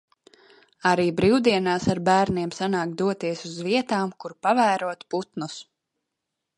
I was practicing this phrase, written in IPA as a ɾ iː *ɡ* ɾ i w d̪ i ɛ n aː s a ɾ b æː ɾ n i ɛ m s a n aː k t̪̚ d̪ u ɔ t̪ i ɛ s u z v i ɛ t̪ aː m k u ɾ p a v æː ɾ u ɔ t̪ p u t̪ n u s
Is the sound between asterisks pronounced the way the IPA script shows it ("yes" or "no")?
no